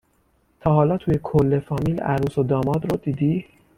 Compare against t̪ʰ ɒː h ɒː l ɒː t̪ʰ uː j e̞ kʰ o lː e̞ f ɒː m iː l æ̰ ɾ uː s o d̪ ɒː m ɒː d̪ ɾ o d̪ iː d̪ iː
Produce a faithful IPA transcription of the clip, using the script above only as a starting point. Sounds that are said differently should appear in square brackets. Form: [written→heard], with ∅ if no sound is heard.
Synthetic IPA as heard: t̪ʰ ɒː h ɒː l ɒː t̪ʰ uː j e̞ kʰ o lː e̞ f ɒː m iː l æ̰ ɾ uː s o d̪ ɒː m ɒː d̪ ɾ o d̪ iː d̪ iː